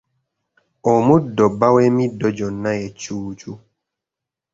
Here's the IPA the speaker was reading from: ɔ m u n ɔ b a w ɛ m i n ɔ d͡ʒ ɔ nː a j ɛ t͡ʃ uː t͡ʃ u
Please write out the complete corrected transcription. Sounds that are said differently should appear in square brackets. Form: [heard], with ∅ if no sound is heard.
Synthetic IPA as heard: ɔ m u [d] ɔ b a w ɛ m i [d] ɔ d͡ʒ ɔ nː a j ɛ t͡ʃ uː t͡ʃ u